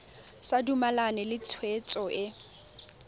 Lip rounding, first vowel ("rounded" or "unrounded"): unrounded